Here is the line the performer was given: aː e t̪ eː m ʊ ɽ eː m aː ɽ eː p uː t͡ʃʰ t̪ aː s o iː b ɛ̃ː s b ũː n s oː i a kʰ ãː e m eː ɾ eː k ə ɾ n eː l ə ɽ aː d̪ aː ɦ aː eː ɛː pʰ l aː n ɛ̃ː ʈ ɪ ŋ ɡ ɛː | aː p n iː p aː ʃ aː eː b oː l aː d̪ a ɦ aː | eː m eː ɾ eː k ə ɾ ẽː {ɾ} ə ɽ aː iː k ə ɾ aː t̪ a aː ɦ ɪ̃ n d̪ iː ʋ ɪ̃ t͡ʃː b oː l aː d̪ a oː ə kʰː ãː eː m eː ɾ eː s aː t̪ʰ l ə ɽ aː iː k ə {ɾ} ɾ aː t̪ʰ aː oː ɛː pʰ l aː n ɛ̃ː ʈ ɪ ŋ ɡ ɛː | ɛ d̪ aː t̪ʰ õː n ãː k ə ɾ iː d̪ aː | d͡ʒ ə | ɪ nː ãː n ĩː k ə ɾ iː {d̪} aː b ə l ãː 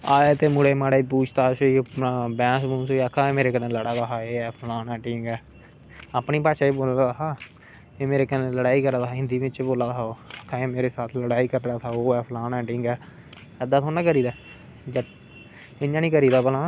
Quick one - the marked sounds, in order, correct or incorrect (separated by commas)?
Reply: incorrect, correct, correct